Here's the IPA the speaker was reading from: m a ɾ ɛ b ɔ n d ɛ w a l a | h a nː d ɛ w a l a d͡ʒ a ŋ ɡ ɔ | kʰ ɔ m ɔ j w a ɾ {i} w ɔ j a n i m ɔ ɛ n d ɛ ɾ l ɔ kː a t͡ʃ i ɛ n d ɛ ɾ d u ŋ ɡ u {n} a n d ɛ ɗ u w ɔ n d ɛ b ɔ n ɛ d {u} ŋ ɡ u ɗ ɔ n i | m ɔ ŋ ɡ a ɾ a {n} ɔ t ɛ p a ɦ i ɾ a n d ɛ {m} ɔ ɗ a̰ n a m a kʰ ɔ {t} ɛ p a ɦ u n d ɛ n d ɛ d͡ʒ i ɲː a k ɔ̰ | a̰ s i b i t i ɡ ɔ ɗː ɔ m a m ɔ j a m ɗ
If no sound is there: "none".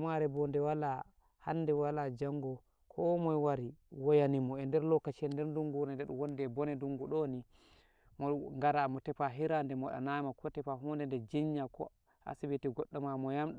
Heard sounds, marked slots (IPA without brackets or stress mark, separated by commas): i, n, u, m, m, t